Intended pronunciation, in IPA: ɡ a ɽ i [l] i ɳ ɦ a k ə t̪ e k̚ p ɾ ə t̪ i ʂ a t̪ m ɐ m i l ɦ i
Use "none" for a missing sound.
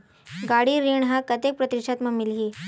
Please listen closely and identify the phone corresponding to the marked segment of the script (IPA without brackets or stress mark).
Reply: ɾ